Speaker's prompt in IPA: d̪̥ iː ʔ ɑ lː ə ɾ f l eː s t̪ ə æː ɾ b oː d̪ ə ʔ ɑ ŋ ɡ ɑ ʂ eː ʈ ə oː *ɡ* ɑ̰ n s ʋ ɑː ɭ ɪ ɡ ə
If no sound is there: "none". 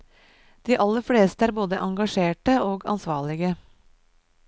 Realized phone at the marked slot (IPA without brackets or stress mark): ɡ